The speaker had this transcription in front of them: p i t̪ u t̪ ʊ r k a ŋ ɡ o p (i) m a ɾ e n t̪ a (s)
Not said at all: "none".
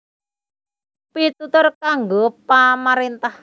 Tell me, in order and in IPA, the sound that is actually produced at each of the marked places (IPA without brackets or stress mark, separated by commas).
a, h